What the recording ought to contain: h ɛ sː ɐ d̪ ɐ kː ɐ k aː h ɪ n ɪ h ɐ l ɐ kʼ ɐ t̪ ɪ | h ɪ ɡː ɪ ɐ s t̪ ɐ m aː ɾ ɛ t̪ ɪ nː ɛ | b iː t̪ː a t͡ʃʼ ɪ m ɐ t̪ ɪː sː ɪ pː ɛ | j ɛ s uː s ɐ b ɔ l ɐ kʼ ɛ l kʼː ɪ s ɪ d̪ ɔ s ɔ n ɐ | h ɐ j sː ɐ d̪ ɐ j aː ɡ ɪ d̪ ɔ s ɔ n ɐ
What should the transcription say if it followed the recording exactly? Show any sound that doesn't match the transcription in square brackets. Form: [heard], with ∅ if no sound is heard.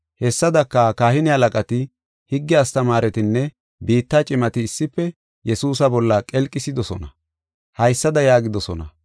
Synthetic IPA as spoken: h ɛ sː ɐ d̪ ɐ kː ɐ k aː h ɪ n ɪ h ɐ l ɐ kʼ ɐ t̪ ɪ | h ɪ ɡː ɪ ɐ s t̪ ɐ m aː ɾ ɛ t̪ ɪ nː ɛ | b iː t̪ː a t͡ʃʼ ɪ m ɐ t̪ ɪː sː ɪ pː ɛ | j ɛ s uː s ɐ b ɔ [lː] ɐ kʼ ɛ l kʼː ɪ s ɪ d̪ ɔ s ɔ n ɐ | h ɐ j sː ɐ d̪ ɐ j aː ɡ ɪ d̪ ɔ s ɔ n ɐ